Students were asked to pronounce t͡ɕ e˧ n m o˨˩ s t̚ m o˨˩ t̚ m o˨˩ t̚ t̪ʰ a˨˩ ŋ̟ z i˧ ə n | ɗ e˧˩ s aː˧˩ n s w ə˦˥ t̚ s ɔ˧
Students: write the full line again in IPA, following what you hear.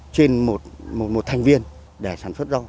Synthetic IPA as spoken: t͡ɕ e˧ n m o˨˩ t̚ m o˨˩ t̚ m o˨˩ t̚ t̪ʰ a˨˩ ŋ̟ v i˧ ə n | ɗ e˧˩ s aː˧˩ n s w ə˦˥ t̚ z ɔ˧